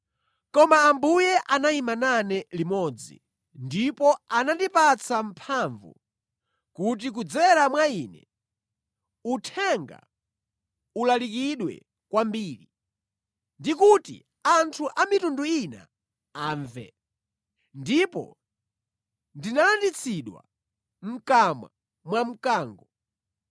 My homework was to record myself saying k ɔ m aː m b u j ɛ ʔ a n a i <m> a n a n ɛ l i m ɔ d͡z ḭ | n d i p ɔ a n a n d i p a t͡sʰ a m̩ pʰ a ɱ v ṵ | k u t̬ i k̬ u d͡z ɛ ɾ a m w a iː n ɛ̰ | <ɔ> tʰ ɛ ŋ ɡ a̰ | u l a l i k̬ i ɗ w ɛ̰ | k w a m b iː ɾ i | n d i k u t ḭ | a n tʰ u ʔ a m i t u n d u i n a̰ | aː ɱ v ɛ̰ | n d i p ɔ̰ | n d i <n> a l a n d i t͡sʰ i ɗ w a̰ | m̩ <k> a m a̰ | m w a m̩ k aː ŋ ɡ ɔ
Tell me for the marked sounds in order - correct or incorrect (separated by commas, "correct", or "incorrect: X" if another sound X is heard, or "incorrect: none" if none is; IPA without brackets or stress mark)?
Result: correct, incorrect: u, correct, correct